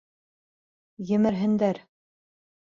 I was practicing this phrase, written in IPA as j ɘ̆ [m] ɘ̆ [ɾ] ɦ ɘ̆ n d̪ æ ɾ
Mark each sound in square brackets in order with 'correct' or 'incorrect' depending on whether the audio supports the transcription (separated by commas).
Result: correct, correct